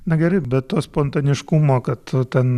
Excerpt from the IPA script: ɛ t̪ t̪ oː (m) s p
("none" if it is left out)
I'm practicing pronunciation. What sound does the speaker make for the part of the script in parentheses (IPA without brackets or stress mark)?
none